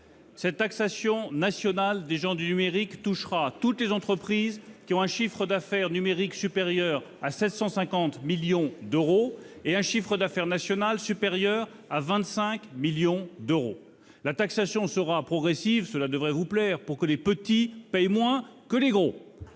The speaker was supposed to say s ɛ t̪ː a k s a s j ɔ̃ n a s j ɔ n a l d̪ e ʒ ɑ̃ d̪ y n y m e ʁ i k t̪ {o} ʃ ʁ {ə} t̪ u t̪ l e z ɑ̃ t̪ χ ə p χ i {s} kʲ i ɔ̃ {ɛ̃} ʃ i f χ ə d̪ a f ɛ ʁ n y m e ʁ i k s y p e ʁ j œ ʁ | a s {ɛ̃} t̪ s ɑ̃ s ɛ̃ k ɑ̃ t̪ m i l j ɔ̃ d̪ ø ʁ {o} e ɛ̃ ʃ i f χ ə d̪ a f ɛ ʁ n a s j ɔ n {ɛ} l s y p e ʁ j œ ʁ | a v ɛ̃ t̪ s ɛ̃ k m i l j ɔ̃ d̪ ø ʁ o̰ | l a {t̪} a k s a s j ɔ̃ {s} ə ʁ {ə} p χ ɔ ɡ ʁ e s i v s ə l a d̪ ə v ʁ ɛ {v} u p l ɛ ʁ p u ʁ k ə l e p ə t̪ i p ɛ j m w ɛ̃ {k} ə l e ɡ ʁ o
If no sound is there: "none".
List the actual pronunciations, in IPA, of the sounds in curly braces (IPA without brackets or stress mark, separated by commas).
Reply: u, a, z, ɛ̃, ɛ, o, a, t̪, s, a, v, k